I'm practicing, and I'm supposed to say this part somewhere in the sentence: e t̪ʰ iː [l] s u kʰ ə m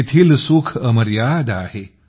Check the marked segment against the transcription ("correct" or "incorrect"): correct